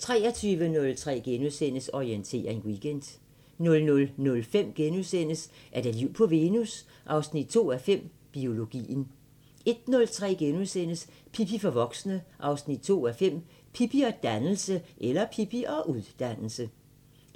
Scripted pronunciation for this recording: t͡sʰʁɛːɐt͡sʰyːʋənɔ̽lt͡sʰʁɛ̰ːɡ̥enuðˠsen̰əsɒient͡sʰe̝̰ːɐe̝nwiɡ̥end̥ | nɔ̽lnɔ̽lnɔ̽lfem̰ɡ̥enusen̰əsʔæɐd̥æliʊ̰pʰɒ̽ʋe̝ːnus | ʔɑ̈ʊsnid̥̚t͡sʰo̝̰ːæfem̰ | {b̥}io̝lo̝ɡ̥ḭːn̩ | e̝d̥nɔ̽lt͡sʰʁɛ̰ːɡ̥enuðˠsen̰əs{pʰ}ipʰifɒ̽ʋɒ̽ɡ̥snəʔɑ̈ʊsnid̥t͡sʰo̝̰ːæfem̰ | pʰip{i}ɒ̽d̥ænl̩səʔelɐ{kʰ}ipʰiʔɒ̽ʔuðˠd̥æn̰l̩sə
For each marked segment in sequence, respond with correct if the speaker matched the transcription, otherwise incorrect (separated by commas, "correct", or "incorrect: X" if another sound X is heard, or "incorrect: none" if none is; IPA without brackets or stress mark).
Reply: correct, correct, correct, incorrect: pʰ